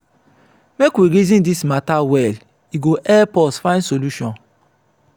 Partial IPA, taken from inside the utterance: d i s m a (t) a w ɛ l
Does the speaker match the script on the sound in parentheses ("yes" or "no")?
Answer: yes